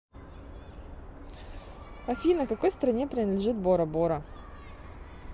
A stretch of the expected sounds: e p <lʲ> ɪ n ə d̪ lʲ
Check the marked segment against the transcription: incorrect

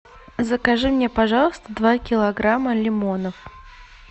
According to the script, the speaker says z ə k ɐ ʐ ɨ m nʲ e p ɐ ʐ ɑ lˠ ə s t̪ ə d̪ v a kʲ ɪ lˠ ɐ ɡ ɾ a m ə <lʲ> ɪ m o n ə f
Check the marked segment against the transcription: correct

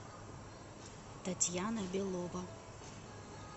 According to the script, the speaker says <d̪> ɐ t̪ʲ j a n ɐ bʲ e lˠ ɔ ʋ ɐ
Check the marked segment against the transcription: incorrect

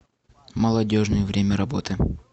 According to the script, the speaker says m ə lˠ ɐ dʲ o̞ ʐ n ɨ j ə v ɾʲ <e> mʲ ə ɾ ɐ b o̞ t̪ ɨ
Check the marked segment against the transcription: correct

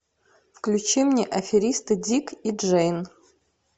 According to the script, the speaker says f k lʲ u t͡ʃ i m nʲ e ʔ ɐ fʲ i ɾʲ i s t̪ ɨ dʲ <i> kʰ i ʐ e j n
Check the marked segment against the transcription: correct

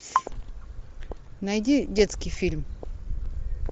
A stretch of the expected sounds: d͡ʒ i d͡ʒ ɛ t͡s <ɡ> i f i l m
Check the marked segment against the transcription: incorrect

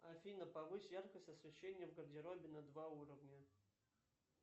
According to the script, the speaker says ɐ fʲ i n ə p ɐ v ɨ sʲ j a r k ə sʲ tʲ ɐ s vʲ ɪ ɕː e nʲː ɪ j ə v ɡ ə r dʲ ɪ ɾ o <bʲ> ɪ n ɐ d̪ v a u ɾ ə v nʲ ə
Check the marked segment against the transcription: correct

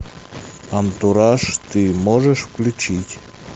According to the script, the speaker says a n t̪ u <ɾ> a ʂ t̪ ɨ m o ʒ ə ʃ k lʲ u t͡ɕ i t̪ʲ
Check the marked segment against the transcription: correct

